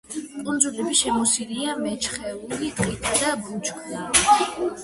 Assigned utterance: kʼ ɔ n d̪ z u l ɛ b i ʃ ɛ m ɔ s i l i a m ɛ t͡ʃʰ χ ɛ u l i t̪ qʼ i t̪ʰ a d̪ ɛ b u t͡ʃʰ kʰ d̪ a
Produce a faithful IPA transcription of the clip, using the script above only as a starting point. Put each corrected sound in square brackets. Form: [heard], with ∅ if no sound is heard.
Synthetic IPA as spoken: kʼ [u] n d̪ z u l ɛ b i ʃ ɛ m ɔ s i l i a m ɛ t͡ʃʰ χ ɛ u l i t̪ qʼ i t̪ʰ a d̪ [a] b u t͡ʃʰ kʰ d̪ a